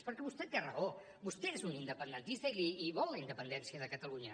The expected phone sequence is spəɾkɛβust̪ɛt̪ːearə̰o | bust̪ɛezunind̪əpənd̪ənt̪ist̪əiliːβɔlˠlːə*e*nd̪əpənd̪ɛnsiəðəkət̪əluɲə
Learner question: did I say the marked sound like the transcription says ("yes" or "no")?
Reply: no